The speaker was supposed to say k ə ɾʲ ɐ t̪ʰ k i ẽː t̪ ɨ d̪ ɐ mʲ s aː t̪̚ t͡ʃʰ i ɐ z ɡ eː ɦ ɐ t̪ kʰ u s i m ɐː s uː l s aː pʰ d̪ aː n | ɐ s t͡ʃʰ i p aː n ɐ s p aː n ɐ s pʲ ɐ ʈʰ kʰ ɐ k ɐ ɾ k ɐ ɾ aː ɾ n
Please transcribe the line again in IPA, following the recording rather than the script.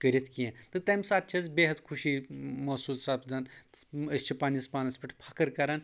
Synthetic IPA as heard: k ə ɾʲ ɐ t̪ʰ k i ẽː t̪ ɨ t̪ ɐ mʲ s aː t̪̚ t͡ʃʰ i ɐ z b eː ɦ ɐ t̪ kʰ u ʃ i m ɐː s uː l s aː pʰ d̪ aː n | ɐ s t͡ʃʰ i p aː n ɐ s p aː n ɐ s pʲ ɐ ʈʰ pʰ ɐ k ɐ ɾ k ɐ ɾ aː n